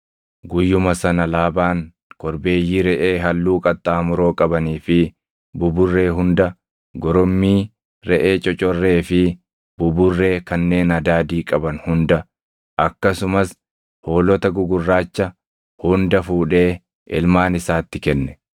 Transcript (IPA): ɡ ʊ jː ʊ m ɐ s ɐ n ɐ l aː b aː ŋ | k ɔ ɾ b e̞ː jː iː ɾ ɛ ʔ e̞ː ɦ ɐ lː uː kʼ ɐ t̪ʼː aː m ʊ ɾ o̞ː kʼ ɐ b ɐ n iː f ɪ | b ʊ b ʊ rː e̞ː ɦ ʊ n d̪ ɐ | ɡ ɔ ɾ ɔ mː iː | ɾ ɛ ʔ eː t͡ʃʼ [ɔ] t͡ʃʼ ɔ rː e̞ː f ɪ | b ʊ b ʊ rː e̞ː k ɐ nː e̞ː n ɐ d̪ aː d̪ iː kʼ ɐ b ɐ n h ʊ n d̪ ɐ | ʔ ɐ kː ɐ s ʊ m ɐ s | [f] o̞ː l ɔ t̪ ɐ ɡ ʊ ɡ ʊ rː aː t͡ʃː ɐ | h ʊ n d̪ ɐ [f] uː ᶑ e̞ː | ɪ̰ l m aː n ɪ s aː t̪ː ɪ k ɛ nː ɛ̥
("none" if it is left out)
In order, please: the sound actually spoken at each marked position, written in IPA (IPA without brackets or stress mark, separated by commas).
ɔ, h, f